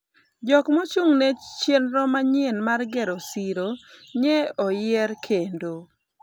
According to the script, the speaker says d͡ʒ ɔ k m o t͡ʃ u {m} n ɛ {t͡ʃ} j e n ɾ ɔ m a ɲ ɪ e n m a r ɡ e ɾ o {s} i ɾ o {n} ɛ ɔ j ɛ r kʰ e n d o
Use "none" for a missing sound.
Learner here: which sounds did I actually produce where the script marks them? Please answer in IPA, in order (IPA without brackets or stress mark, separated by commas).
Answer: ŋ, t͡ʃ, s, ɲ